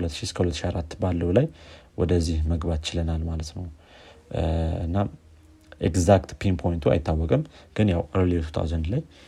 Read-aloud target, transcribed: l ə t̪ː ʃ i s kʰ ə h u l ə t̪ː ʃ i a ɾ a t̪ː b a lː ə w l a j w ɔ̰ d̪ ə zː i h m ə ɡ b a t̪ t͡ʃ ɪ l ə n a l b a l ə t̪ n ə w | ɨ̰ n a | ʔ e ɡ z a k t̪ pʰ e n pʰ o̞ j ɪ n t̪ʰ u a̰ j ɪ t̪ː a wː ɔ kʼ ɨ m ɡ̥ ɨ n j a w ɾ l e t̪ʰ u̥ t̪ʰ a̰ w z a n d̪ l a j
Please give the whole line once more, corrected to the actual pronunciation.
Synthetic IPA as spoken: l ə t̪ː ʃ i s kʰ ə h u l ə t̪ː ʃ i a ɾ a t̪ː b a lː ə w l a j w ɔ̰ d̪ ə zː i h m ə ɡ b a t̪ t͡ʃ ɪ l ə n a l m a l ə t̪ n ə w | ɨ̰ nː a | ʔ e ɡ z a k t̪ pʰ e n pʰ o̞ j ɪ n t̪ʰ u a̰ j ɪ t̪ː a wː ɔ kʼ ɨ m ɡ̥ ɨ n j a w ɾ l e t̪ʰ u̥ t̪ʰ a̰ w z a n d̪ l a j